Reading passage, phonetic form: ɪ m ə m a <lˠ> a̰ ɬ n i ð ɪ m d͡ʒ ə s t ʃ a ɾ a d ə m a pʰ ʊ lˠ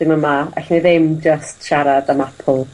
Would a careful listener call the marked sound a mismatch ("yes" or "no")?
yes